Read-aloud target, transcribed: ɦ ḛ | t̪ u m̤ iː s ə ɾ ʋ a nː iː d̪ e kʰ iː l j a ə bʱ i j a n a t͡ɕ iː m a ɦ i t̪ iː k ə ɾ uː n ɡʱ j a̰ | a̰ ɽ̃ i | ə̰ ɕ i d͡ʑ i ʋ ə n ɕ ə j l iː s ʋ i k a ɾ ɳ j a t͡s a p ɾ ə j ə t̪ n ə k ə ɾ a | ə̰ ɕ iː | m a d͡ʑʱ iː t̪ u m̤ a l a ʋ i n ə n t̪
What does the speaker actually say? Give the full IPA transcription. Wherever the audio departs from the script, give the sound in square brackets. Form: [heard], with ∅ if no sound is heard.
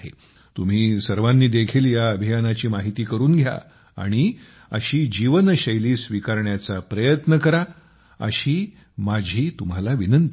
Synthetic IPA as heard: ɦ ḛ | t̪ u m̤ iː s ə ɾ ʋ a nː iː d̪ e kʰ iː l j a ə bʱ i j a n a t͡ɕ iː m a ɦ i t̪ iː k ə ɾ uː n ɡʱ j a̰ | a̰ ɽ̃ i | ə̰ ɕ [iː] d͡ʑ i ʋ ə n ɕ ə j l iː s ʋ i k a ɾ ɳ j a t͡s a p ɾ ə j ə t̪ n ə k ə ɾ a | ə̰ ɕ iː | m a d͡ʑʱ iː t̪ u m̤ a l a ʋ i n ə n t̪